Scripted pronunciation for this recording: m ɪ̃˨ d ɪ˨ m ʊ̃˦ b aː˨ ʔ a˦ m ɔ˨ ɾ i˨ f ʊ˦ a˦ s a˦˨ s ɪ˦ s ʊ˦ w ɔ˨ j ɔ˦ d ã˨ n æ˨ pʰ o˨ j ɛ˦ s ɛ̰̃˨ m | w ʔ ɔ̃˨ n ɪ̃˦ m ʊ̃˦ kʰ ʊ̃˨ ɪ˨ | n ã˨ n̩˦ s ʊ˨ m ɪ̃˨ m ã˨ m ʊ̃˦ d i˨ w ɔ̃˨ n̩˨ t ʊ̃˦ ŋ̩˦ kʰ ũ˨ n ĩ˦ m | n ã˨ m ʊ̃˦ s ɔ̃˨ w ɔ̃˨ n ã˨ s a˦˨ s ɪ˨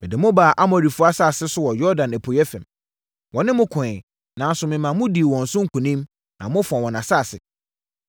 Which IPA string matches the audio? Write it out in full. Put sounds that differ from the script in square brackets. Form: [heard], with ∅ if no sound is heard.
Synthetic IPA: m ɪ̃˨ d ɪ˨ m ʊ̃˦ b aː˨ ʔ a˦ m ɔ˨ ɾ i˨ f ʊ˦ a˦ s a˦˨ s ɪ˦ s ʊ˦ w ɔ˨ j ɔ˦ d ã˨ n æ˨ pʰ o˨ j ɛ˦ [f] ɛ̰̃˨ m | w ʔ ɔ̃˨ n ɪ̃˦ m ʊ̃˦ kʰ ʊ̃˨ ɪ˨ | n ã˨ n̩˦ s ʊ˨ m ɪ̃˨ m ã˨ m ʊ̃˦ d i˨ w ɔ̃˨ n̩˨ [s] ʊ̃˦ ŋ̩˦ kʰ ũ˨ n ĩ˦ m | n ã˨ m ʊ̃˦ [f] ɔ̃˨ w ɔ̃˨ n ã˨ s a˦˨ s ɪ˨